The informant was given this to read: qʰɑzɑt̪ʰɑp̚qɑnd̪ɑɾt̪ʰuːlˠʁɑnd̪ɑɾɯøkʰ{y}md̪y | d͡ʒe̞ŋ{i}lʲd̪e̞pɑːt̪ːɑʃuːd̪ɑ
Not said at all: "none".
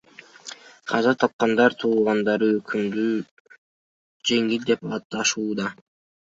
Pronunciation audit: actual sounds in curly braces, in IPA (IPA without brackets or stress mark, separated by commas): y, i